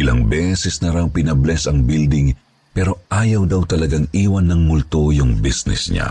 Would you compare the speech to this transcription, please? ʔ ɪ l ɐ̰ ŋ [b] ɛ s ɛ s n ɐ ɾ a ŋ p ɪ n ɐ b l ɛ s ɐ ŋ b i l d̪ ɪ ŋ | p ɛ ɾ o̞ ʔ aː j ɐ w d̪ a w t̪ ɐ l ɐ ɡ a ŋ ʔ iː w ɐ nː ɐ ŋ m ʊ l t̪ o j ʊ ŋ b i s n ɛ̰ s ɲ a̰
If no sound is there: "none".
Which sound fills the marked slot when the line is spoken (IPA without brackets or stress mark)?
b